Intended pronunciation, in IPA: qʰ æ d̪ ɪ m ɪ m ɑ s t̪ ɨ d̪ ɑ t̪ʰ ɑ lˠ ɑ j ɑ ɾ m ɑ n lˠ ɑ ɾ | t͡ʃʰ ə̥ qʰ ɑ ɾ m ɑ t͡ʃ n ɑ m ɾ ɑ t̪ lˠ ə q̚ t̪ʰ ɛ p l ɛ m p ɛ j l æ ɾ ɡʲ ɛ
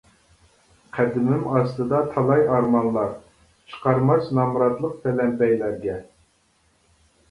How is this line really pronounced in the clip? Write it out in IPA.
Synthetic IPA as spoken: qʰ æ d̪ ɪ m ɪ m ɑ s t̪ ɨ d̪ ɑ t̪ʰ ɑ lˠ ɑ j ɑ ɾ m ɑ n lˠ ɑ ɾ | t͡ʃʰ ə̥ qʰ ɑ ɾ m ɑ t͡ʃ n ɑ m ɾ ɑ t̪ lˠ ə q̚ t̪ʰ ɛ l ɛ m p ɛ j l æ ɾ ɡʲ ɛ